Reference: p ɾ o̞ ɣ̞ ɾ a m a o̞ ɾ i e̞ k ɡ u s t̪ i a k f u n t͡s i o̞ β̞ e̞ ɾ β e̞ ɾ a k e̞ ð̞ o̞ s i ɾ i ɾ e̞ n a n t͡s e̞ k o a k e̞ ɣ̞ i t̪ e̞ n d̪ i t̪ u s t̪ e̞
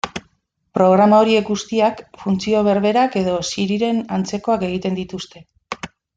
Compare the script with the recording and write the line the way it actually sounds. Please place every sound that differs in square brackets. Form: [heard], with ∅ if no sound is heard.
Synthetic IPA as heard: p ɾ o̞ ɣ̞ ɾ a m a o̞ ɾ i e̞ k ɡ u s t̪ i a k f u n t͡s i o̞ β̞ e̞ ɾ β e̞ ɾ a k e̞ ð̞ o̞ s i ɾ i ɾ e̞ n a n t͡s e̞ k o a k e̞ ɣ̞ i t̪ e̞ n d̪ i t̪ u s t̪ e̞